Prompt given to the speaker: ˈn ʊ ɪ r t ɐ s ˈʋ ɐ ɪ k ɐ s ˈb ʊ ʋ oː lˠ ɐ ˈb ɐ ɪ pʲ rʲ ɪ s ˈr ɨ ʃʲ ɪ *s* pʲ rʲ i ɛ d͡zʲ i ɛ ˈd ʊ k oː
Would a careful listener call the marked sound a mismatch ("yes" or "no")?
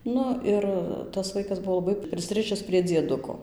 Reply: no